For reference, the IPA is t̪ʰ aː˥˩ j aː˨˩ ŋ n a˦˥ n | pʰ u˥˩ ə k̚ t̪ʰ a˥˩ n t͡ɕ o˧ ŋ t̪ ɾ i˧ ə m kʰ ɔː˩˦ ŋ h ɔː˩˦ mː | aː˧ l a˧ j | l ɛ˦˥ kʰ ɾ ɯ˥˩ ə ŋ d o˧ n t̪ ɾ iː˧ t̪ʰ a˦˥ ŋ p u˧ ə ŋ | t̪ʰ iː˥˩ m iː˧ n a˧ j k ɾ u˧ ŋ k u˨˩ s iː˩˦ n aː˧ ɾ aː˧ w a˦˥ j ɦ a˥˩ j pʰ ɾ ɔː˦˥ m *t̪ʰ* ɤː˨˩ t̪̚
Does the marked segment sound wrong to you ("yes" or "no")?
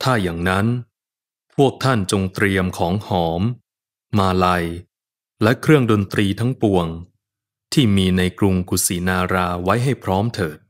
no